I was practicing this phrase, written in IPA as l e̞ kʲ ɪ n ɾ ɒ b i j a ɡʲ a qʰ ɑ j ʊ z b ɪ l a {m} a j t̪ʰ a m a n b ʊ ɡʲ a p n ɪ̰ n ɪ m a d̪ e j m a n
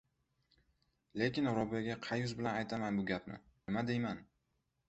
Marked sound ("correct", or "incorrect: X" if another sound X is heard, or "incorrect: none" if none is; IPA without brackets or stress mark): incorrect: n